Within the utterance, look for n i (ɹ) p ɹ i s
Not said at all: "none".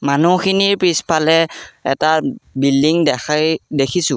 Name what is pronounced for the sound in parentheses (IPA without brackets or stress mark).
ɹ